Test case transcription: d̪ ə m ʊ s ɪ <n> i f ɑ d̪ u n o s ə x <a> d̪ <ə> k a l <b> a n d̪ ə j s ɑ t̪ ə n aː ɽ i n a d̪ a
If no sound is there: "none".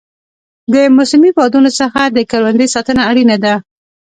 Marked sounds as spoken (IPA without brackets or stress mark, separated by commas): m, a, ə, w